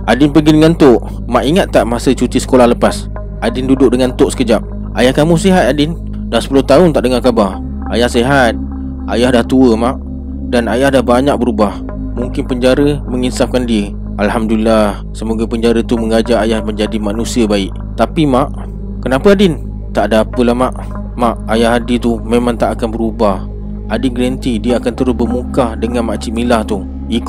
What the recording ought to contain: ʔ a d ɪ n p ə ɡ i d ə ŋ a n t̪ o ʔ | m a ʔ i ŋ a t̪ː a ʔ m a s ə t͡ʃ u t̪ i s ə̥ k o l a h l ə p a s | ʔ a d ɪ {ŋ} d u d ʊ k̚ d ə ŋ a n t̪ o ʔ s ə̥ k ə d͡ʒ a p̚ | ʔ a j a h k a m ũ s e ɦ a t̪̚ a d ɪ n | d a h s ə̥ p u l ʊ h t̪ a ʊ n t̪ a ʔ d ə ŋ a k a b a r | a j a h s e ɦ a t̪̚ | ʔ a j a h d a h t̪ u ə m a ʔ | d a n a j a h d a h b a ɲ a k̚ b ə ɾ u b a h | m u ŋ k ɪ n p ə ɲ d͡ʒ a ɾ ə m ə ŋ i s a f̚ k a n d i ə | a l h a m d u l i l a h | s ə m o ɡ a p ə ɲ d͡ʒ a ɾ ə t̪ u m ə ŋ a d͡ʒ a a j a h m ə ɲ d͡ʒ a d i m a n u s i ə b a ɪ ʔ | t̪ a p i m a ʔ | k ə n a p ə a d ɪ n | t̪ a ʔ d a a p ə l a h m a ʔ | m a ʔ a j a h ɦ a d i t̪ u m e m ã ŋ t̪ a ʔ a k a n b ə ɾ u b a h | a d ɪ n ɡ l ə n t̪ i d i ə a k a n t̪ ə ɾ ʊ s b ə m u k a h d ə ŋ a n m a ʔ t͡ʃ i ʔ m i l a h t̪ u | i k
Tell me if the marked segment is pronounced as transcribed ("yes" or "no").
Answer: no